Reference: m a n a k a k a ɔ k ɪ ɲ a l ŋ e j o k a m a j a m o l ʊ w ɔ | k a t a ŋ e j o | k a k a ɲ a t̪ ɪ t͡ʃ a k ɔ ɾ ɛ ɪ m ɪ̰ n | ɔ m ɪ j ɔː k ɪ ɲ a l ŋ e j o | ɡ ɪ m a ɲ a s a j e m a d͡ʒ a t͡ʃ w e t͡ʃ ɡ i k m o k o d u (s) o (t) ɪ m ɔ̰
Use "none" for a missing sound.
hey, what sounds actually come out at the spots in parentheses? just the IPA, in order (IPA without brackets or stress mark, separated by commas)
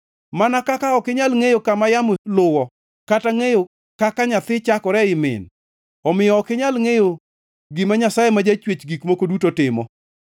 t, t